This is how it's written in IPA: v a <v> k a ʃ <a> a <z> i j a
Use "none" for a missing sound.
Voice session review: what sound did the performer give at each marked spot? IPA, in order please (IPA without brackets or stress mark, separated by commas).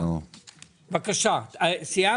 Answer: none, a, s